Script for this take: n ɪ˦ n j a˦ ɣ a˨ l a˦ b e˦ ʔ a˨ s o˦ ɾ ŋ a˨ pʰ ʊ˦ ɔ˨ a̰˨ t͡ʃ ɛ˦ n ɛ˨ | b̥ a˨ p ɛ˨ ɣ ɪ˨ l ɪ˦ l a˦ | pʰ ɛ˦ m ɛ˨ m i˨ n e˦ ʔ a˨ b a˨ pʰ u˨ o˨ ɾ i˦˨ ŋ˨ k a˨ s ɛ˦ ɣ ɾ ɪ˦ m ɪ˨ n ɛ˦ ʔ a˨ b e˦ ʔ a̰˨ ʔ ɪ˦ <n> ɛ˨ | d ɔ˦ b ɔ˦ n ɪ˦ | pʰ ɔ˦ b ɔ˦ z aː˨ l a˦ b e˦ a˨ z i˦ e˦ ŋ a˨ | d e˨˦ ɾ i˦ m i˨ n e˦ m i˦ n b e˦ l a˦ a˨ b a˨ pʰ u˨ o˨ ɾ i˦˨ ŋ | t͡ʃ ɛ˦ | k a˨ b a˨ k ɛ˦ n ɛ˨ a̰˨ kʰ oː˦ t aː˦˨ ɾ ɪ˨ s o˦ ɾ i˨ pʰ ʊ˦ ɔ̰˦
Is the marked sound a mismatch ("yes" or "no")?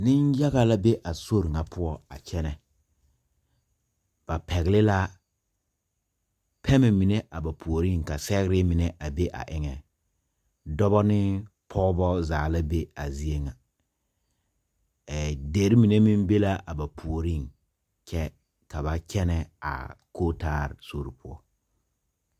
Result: yes